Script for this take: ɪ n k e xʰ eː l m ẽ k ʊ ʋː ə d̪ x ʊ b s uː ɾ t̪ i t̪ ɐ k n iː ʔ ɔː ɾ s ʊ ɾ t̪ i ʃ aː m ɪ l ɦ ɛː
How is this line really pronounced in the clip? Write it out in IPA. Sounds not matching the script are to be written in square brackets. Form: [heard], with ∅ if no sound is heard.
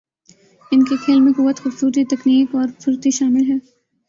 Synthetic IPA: ɪ n k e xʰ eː l m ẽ k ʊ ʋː ə [t̪] x ʊ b s uː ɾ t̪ i t̪ ɐ k n iː [k] ɔː ɾ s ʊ ɾ t̪ i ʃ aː m ɪ l ɦ ɛː